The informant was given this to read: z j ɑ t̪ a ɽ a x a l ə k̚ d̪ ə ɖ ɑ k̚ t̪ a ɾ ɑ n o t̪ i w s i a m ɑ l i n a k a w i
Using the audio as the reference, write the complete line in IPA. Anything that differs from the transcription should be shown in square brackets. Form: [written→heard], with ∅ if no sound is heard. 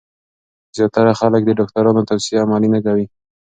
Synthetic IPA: z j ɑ t̪ a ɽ a x a l ə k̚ d̪ ə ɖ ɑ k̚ t̪ a ɾ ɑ n o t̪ [i→a] w s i a m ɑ l i n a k a w i